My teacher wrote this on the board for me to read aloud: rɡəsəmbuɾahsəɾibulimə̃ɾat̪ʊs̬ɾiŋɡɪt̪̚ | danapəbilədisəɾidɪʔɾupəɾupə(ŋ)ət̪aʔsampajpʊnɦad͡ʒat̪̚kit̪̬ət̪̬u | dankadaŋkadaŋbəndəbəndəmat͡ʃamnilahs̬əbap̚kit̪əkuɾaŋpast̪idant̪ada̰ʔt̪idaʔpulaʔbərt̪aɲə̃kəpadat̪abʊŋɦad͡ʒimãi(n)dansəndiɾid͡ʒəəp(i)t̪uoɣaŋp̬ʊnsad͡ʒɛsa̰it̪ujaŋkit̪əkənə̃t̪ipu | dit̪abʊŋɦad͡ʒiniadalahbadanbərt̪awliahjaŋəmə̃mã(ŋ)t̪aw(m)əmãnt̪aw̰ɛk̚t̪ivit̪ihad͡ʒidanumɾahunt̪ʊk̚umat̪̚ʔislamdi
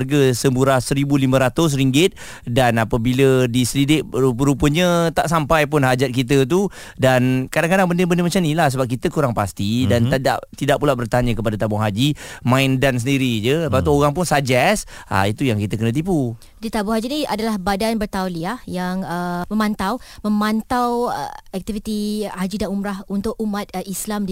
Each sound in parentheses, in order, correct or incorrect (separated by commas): incorrect, correct, incorrect, incorrect, correct